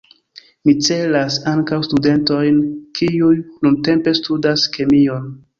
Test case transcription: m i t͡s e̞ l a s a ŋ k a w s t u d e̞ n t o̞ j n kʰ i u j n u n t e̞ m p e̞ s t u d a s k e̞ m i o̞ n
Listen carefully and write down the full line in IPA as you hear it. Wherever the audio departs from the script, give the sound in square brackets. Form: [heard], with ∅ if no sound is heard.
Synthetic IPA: m i t͡s e̞ l a s a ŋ k a w s t u d e̞ n t o̞ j n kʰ i u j n u n t e̞ m p e̞ s t u d a s k e̞ m i o̞ n

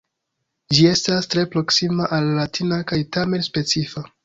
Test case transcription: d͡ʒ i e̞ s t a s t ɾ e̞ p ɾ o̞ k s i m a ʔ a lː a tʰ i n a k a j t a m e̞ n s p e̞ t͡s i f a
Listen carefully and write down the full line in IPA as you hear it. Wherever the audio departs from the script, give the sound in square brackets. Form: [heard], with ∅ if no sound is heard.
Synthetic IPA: d͡ʒ i e̞ s t a s t ɾ e̞ p ɾ o̞ k s i m a ʔ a lː a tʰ i n a k a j t a m e̞ n s p e̞ t͡s i f a

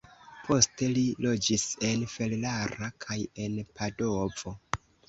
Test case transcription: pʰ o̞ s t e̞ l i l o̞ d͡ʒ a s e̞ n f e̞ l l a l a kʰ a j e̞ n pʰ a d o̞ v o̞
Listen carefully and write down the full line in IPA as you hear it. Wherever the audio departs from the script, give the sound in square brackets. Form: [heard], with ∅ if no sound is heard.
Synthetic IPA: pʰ o̞ s t e̞ l i l o̞ d͡ʒ [i] s e̞ n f e̞ l l a [ɾ] a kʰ a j e̞ n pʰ a d o̞ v o̞

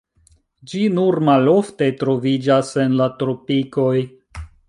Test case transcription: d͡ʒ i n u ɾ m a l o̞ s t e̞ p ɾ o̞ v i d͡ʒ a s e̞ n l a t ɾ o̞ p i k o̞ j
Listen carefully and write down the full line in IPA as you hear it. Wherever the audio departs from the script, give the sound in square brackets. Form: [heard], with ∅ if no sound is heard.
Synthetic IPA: d͡ʒ i n u ɾ m a l o̞ [f] t e̞ [t] ɾ o̞ v i d͡ʒ a s e̞ n l a t ɾ o̞ p i k o̞ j

